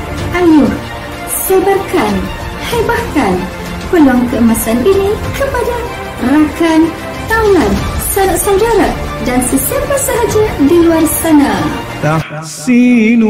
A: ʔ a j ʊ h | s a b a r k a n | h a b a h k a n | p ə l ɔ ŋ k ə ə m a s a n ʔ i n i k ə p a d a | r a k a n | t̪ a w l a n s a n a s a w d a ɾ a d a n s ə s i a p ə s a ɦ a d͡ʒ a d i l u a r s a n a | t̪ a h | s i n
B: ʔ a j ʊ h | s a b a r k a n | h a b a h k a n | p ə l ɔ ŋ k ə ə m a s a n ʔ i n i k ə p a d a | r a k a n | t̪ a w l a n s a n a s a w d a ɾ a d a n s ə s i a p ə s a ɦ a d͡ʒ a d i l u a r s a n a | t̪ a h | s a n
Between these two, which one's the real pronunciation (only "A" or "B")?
A